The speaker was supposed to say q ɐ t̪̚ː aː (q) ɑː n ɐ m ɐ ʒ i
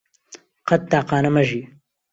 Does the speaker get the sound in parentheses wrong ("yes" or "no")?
no